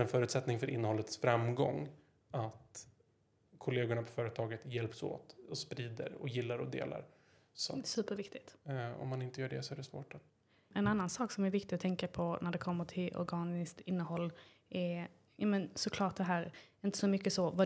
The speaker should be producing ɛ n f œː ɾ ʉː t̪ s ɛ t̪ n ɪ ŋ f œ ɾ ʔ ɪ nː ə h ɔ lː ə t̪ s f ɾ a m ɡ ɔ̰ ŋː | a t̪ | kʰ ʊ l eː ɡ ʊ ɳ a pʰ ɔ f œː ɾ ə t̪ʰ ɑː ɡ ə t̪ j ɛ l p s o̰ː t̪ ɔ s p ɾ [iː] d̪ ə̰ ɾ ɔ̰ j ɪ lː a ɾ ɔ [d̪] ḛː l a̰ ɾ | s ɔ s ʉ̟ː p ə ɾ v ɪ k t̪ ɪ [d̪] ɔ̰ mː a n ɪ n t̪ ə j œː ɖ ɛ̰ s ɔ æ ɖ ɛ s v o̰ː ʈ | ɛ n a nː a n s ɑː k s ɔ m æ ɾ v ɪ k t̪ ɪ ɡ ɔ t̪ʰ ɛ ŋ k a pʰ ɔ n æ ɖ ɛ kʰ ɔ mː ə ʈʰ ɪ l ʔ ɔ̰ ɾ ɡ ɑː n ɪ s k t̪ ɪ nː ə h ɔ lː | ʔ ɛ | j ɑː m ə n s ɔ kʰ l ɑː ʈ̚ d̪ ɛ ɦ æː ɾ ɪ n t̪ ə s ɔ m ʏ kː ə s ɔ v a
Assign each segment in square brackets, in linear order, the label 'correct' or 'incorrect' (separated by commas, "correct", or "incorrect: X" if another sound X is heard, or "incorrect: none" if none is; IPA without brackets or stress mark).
correct, correct, incorrect: t̪